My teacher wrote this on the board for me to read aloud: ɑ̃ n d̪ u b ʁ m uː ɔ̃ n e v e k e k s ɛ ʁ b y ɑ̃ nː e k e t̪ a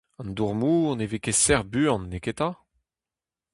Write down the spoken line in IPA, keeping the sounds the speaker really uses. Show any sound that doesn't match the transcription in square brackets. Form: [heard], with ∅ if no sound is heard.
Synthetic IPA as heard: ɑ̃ n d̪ u [∅] ʁ m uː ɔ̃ n e v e k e [∅] s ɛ ʁ b y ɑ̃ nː e k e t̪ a

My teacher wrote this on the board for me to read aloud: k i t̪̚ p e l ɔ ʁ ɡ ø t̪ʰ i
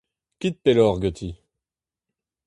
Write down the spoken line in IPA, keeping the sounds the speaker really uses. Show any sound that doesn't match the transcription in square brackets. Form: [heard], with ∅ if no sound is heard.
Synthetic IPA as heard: k i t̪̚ p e l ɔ ʁ ɡ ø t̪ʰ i

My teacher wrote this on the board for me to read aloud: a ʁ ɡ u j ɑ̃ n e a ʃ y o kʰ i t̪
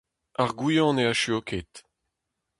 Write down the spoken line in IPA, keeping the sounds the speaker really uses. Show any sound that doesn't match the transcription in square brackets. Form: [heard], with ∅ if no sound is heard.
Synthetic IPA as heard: a ʁ ɡ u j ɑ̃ n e a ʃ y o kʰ [e] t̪

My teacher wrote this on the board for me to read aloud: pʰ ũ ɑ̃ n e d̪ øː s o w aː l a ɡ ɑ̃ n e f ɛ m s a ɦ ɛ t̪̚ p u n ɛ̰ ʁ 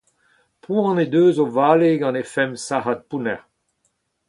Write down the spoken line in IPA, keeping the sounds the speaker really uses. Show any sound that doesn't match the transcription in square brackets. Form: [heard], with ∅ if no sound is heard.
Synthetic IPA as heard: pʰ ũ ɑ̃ n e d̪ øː [z] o [v] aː l [e] ɡ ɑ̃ n e f ɛ m s a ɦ [a] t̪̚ p u n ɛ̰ ʁ

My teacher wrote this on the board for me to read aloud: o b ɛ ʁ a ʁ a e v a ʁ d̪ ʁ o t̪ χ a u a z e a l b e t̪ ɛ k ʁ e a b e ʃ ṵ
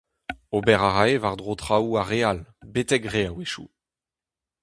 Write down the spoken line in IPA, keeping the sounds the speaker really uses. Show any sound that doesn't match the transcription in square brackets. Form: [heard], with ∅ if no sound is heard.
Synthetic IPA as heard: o b ɛ ʁ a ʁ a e v a ʁ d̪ ʁ o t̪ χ a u a [ʁ] e a l b e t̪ ɛ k ʁ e a [w] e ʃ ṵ

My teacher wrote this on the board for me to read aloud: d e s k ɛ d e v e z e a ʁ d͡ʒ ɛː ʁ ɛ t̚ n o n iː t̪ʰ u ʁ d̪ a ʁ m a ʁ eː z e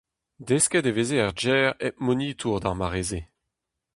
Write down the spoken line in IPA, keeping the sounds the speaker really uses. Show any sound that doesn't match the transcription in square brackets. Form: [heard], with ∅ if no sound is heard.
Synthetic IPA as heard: d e s k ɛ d e v e z e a ʁ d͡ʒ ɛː ʁ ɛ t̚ [m] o n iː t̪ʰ u ʁ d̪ a ʁ m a ʁ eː z e

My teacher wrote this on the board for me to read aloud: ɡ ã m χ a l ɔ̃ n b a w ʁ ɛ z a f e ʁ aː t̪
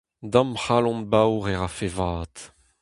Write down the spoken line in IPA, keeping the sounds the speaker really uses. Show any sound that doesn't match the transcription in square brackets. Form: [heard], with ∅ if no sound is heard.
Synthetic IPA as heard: [d] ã m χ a l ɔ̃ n b a w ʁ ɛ [ʁ] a f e [v] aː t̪

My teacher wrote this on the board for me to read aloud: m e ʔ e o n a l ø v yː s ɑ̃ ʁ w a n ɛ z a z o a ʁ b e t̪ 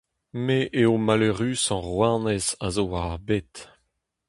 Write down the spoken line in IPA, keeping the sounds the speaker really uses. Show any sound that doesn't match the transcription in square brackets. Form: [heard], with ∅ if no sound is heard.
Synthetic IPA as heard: m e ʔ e o [m] a l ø [ʁ] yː s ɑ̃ ʁ w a n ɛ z a z o a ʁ b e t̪

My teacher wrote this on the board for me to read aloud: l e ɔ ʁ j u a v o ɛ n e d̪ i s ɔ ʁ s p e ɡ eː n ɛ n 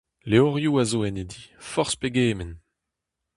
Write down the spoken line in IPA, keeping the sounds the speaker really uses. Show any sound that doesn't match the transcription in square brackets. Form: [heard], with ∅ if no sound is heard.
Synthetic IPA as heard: l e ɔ ʁ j u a [z] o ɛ n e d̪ i [f] ɔ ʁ s p e ɡ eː [m] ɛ n

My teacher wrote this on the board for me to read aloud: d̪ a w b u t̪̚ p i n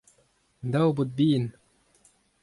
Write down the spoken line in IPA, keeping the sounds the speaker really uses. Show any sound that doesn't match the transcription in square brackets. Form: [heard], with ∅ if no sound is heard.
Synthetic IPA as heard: d̪ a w b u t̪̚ [b] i n

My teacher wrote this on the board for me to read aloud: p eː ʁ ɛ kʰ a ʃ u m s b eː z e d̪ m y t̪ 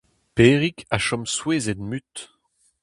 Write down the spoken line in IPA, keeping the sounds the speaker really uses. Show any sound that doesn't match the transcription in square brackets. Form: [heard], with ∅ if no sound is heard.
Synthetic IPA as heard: p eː ʁ [i] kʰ a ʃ [ɔ] m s [w] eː z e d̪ m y t̪

